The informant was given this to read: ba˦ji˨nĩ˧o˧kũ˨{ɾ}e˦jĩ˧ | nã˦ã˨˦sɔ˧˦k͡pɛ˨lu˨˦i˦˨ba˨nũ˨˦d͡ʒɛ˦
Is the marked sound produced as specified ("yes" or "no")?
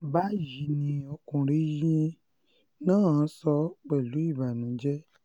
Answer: yes